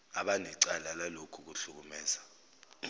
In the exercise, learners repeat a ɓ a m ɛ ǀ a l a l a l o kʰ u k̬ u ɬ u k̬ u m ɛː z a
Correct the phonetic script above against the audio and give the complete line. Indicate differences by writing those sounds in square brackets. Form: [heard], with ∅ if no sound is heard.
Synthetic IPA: a ɓ a [n] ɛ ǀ a l a l a l o kʰ u k̬ u ɬ u k̬ u m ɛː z a